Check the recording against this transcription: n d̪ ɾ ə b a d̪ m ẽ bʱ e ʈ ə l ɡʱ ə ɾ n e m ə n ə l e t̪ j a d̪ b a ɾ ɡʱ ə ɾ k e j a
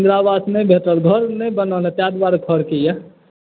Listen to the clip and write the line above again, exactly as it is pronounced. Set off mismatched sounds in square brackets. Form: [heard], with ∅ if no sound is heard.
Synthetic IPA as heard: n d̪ ɾ [a] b a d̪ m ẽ bʱ e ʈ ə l ɡʱ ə ɾ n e [b] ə n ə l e t̪ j a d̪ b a ɾ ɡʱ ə ɾ k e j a